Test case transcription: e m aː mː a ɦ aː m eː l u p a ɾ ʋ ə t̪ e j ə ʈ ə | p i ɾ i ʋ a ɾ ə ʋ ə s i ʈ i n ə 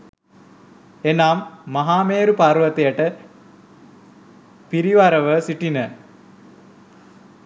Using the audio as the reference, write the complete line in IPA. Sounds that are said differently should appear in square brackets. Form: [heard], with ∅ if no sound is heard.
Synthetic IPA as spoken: e [n] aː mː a ɦ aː m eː [ɾ] u p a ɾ ʋ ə t̪ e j ə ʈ ə | p i ɾ i ʋ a ɾ ə ʋ ə s i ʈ i n ə